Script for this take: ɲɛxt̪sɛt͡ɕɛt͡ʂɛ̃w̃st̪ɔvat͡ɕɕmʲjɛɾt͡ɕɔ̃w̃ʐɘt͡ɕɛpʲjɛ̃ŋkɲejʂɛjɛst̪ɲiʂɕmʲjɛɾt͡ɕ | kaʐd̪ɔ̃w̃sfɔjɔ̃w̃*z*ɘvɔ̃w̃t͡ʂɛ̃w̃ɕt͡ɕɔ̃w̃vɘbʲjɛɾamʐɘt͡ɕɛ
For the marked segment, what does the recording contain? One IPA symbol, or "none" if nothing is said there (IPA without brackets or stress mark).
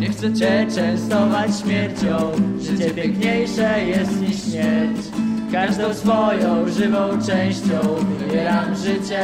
ʐ